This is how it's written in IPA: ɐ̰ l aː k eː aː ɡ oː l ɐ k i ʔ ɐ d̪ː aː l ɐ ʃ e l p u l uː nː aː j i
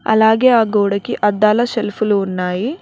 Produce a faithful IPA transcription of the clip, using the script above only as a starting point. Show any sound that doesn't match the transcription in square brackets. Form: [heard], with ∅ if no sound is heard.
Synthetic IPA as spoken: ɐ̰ l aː [ɡ] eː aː ɡ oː [ɽ] ɐ k i ʔ ɐ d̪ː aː l ɐ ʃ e l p u l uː nː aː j i